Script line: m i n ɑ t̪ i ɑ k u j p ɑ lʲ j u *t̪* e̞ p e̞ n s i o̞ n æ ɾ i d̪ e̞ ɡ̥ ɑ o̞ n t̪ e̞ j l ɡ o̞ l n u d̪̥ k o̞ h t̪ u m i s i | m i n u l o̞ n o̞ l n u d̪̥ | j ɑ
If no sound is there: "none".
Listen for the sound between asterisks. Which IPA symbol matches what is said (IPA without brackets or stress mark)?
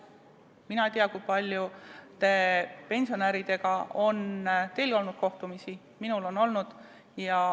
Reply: t̪